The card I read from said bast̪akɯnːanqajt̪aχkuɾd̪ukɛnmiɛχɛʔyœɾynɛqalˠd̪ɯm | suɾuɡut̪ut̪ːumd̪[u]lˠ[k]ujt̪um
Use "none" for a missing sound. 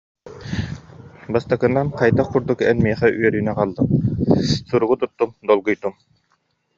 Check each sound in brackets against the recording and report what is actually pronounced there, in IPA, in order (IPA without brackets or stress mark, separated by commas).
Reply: ɔ, ɡ